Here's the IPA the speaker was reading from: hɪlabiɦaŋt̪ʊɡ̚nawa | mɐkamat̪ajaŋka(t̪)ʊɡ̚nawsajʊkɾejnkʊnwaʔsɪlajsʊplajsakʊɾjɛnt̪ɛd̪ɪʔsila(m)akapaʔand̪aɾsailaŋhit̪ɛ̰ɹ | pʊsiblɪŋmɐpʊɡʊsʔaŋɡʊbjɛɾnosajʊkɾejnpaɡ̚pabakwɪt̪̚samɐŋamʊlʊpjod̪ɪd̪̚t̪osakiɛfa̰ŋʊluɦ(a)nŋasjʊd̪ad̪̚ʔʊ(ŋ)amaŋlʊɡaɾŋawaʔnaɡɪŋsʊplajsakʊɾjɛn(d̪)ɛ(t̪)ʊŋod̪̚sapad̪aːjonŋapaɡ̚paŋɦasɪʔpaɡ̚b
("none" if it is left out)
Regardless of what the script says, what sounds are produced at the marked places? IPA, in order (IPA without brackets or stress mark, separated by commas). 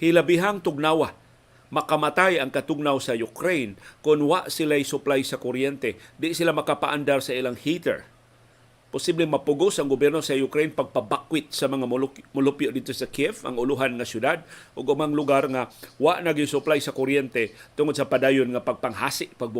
t̪, m, a, ɡ, t̪, t̪